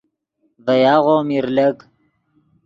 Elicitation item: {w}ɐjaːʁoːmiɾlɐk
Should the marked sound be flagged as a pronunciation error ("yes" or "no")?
yes